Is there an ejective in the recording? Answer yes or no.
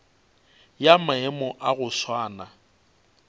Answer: no